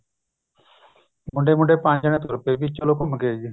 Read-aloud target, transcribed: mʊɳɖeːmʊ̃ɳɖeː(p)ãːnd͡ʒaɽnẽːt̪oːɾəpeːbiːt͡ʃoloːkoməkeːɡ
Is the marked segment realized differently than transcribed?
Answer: no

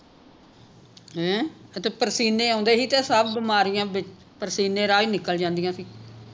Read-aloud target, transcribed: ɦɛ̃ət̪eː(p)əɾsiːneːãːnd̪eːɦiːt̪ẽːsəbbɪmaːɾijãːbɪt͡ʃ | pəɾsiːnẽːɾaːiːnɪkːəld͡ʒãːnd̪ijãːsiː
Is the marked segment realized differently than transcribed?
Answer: no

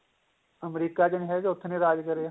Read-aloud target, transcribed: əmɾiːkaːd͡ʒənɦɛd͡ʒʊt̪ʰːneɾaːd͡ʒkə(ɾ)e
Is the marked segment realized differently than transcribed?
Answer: no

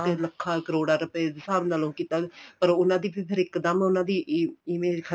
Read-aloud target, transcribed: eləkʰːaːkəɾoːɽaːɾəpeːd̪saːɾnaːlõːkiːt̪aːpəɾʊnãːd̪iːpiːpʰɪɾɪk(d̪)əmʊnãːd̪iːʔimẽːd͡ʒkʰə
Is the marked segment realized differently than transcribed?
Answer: no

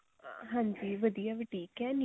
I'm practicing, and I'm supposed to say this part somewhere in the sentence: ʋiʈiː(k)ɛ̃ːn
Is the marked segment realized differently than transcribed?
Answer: no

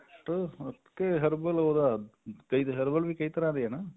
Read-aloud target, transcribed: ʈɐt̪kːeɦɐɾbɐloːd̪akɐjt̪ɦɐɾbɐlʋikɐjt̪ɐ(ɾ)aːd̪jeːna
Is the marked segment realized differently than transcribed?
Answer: no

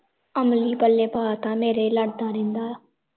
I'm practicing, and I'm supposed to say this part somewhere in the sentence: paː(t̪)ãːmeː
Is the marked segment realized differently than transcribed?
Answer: no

